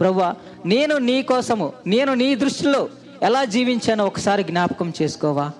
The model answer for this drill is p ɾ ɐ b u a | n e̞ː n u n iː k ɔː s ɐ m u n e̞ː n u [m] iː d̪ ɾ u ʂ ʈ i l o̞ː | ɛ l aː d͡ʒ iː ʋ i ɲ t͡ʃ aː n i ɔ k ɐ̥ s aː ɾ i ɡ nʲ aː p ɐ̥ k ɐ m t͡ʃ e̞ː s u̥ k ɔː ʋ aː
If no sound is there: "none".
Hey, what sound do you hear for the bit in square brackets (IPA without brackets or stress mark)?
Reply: n